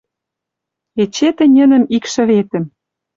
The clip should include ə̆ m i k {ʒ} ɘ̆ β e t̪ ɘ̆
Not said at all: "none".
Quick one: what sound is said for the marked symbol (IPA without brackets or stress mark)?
ʃ